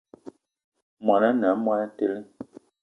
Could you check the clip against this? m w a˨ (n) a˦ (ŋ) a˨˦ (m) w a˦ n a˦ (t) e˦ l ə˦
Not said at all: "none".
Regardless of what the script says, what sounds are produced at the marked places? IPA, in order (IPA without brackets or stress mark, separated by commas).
n, n, m, t